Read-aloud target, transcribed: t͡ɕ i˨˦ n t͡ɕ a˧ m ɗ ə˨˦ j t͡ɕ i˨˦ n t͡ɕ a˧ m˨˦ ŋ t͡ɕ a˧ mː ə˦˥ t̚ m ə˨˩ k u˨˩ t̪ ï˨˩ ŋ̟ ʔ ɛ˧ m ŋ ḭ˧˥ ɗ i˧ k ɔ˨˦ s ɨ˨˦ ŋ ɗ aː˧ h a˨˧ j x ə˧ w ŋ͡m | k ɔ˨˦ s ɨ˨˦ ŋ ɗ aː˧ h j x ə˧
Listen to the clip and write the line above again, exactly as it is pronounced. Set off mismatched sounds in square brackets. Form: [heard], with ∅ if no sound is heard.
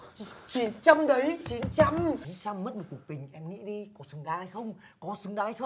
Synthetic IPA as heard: t͡ɕ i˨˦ n t͡ɕ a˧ m ɗ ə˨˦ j t͡ɕ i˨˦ n t͡ɕ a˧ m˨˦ [n] t͡ɕ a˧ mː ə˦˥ t̚ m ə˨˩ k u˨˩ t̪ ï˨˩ ŋ̟ ʔ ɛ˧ m ŋ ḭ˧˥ ɗ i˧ k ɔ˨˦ s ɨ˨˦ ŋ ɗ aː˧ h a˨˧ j x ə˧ w ŋ͡m | k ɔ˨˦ s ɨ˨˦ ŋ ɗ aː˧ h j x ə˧